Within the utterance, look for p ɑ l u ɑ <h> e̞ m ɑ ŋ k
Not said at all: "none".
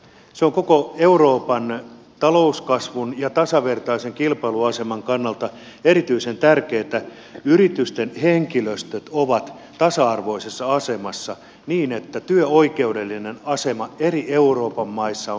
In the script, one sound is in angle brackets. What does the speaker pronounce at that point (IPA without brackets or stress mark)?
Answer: s